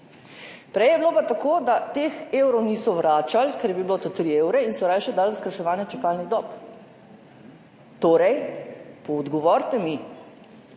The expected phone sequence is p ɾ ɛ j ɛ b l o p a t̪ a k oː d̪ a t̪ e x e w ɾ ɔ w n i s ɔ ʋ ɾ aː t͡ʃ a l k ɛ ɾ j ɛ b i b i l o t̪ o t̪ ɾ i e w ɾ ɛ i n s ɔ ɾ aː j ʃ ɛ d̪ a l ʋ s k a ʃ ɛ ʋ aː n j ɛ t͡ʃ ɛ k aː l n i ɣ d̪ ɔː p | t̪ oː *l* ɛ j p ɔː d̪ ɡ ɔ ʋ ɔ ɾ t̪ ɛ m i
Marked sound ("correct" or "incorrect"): incorrect